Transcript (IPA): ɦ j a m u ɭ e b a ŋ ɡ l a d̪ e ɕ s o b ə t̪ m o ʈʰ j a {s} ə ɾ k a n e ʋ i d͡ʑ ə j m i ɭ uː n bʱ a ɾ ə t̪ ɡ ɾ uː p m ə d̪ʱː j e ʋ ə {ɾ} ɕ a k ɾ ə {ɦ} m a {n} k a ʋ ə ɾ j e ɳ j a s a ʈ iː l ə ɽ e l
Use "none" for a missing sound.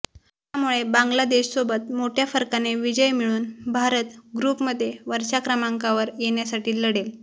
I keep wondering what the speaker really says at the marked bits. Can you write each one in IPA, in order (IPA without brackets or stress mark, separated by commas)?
f, ɾ, none, ŋ